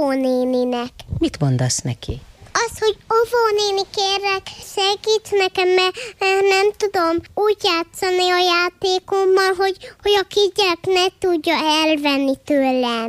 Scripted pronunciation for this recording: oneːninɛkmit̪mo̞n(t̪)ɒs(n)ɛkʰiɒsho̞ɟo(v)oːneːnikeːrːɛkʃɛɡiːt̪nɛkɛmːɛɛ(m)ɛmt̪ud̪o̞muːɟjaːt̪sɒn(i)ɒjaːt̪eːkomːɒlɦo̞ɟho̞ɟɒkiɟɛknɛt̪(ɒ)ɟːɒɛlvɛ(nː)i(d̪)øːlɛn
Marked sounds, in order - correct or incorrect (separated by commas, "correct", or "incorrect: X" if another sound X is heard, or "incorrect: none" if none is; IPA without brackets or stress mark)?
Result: incorrect: d̪, correct, correct, incorrect: n, correct, incorrect: u, correct, incorrect: t̪